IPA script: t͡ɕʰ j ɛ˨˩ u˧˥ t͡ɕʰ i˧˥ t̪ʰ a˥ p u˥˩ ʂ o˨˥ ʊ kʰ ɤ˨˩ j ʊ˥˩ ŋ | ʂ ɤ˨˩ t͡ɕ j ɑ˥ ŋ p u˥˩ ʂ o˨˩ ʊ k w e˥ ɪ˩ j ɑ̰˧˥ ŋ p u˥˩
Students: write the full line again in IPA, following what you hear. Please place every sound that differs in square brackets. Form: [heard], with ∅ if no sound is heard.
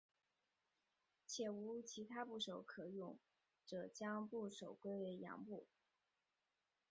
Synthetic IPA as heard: t͡ɕʰ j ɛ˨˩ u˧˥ t͡ɕʰ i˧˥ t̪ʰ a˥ p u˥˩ ʂ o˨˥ ʊ kʰ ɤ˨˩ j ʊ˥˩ ŋ | [ʈ͡ʂ] ɤ˨˩ t͡ɕ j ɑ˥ ŋ p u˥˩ ʂ o˨˩ ʊ k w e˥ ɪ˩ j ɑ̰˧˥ ŋ p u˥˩

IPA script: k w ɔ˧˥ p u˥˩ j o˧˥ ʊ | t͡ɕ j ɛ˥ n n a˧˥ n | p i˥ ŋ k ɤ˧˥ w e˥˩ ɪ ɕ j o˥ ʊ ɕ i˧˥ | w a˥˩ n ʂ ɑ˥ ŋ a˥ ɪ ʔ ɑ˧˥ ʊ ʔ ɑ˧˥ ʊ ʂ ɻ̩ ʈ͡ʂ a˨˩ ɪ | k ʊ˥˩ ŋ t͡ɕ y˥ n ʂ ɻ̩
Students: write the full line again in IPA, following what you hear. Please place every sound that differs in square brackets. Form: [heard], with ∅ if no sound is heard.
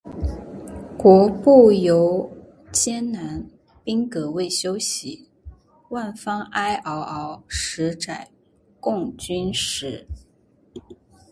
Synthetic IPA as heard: k w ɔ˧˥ p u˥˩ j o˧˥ ʊ | t͡ɕ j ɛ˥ n n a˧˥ n | p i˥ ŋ k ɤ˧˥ w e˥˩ ɪ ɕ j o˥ ʊ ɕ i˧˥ | w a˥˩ n [f] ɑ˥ ŋ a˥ ɪ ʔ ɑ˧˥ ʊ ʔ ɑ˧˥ ʊ ʂ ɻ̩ ʈ͡ʂ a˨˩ ɪ | k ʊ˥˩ ŋ t͡ɕ y˥ n ʂ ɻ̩

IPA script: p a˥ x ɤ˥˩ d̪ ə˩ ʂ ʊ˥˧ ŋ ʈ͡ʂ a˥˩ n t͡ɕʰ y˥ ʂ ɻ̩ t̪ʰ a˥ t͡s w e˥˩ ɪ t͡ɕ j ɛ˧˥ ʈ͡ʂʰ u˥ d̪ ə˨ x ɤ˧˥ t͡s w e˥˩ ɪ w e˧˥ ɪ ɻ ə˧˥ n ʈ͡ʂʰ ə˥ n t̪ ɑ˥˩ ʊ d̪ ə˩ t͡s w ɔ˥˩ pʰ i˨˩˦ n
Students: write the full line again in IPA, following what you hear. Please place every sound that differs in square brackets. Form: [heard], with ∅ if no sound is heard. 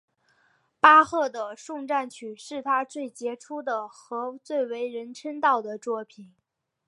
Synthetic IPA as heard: p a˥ x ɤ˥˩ d̪ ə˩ ʂ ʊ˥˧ ŋ ʈ͡ʂ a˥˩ n t͡ɕʰ [y˨˩] ʂ ɻ̩ t̪ʰ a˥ t͡s w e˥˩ ɪ t͡ɕ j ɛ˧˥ ʈ͡ʂʰ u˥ d̪ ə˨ x ɤ˧˥ t͡s w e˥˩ ɪ w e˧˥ ɪ ɻ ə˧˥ n ʈ͡ʂʰ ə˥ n t̪ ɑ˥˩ ʊ d̪ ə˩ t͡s w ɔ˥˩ pʰ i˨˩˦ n

